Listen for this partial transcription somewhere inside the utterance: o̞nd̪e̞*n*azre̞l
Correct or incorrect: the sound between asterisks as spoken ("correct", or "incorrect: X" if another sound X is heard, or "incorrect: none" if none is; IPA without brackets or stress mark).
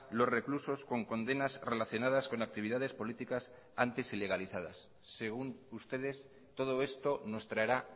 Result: correct